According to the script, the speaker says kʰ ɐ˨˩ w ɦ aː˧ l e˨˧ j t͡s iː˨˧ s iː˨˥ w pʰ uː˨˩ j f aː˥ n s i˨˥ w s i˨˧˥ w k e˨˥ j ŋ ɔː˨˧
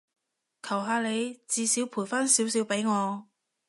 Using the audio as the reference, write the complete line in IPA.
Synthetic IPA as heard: kʰ ɐ˨˩ w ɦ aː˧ l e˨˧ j t͡s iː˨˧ s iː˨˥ w pʰ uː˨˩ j f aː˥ n s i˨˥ w s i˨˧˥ w p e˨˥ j ŋ ɔː˨˧